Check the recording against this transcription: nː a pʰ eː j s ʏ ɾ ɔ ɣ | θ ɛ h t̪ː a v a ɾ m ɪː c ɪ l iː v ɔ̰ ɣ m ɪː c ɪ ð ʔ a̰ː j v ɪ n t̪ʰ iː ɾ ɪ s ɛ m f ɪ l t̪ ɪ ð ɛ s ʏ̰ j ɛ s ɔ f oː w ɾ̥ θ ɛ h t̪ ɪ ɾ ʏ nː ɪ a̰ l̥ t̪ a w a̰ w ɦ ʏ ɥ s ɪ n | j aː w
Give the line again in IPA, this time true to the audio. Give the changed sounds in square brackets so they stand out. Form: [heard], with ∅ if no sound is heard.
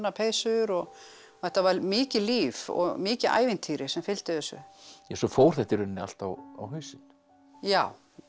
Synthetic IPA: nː a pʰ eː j s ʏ ɾ ɔ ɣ | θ ɛ h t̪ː a v a ɾ m ɪː c ɪ l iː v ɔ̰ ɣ m ɪː c ɪ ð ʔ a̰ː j v ɪ n t̪ʰ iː ɾ ɪ s ɛ m f ɪ l t̪ ɪ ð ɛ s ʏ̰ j ɛ s ɔ f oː w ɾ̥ θ ɛ h t̪ ɪ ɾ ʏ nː ɪ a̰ l̥ t̪ a w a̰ w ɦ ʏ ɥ s ɪ n | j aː w